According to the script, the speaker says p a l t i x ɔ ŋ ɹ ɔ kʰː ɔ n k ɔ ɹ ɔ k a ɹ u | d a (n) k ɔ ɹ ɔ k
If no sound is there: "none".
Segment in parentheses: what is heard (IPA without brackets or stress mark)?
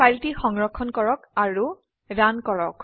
n